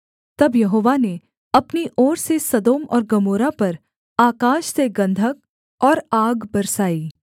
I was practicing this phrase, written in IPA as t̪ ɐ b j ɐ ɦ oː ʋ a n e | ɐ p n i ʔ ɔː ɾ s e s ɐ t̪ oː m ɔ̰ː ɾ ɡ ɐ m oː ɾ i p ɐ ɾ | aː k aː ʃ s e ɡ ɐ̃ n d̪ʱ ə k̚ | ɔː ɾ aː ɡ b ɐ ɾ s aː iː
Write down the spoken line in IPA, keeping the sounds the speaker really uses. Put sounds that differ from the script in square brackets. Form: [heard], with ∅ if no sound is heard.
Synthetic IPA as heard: t̪ ɐ b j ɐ ɦ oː ʋ a n e | ɐ p n i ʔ ɔː ɾ s e s ɐ [d̪] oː m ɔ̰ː ɾ ɡ ɐ m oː ɾ [a] p ɐ ɾ | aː k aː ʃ s e ɡ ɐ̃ n d̪ʱ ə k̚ | ɔː ɾ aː ɡ b ɐ ɾ s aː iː